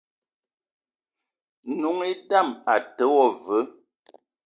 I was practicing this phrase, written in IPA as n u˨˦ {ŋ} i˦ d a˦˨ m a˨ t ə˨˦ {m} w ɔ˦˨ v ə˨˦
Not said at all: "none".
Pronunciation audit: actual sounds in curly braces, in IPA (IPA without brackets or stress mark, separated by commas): ŋ, none